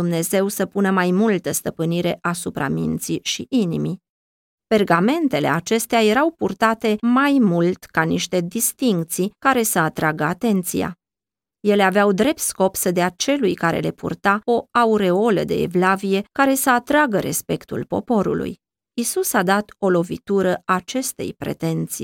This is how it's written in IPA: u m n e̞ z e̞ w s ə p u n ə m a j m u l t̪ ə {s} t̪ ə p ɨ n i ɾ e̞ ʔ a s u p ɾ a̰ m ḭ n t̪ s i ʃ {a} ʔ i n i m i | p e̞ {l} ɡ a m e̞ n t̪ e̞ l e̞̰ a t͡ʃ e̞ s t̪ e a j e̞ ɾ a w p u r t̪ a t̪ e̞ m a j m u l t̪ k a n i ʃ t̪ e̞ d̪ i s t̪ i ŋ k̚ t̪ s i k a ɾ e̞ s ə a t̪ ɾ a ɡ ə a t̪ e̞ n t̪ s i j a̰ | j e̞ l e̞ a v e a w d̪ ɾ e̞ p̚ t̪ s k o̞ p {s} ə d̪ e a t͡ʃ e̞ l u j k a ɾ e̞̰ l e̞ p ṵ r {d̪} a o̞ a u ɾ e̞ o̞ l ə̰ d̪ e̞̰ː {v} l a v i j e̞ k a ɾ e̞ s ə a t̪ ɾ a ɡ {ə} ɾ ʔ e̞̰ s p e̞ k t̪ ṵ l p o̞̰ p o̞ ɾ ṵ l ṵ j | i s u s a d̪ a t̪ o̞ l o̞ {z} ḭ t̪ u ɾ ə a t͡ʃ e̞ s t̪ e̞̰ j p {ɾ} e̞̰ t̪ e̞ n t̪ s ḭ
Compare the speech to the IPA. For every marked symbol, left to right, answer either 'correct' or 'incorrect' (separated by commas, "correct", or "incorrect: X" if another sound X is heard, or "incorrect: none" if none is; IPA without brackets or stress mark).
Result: correct, incorrect: i, incorrect: r, correct, incorrect: t̪, correct, correct, incorrect: v, correct